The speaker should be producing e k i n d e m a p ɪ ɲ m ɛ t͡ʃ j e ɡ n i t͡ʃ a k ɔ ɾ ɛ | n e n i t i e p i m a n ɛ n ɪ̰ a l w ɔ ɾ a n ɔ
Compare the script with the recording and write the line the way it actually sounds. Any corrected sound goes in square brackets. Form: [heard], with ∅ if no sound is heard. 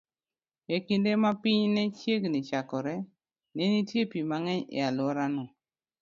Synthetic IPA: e k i n d e m a p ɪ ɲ [n] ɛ t͡ʃ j e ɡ n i t͡ʃ a k ɔ ɾ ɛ | n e n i t [j] e p i m a [ŋ] ɛ [ɲ] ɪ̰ a l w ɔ ɾ a n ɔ